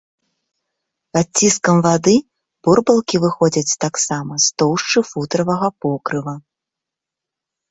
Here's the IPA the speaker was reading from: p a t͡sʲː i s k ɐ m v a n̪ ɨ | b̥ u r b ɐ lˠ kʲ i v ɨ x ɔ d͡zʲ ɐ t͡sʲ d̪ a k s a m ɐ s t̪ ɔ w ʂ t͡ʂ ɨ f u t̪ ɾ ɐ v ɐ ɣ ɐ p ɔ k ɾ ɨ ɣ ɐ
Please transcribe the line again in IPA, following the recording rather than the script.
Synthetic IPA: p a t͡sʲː i s k ɐ m v a d̪ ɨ | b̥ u r b ɐ lˠ kʲ i v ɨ x ɔ d͡zʲ ɐ t͡sʲ t̪ a k s a m ɐ s t̪ ɔ w ʂ t͡ʂ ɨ f u t̪ ɾ ɐ v ɐ ɣ ɐ p ɔ k ɾ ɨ v ɐ